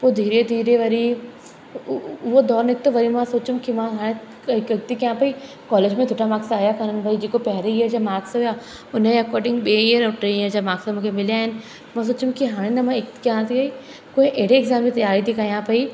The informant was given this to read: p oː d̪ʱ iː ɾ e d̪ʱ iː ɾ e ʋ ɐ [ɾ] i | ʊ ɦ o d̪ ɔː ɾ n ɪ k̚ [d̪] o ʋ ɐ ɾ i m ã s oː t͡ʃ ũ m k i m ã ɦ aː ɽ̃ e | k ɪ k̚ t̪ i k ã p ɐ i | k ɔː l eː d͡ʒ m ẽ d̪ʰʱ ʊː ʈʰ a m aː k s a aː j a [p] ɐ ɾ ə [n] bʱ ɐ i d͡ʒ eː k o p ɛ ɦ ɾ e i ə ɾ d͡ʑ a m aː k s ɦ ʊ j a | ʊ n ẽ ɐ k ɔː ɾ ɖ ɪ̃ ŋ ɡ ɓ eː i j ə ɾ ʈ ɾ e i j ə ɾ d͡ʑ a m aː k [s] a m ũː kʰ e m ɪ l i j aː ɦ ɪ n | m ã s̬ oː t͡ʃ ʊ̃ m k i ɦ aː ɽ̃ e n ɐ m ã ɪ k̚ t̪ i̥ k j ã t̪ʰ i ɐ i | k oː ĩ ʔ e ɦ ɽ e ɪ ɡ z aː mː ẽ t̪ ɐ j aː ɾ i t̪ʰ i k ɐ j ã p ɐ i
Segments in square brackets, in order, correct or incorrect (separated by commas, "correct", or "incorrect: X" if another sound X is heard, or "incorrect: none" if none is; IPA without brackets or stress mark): correct, incorrect: t̪, incorrect: k, correct, correct